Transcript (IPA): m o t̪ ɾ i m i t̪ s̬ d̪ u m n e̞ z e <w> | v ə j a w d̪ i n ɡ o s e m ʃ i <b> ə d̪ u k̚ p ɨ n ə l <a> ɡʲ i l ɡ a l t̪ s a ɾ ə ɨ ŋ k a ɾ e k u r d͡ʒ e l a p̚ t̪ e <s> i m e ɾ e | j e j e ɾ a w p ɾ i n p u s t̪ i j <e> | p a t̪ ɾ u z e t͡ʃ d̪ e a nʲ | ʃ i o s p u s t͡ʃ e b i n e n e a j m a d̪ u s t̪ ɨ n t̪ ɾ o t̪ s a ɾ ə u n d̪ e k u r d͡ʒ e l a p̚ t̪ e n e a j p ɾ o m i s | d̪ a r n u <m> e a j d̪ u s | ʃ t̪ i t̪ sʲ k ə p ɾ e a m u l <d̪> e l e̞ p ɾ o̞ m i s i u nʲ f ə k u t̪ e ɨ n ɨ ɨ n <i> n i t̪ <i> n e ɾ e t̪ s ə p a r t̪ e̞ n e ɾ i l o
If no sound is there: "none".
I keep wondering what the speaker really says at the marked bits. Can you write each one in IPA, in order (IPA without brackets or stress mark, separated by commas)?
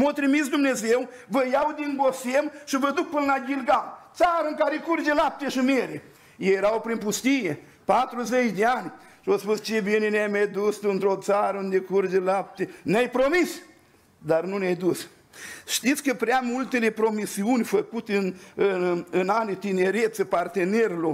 w, v, a, ʃ, e, n, t̪, a, i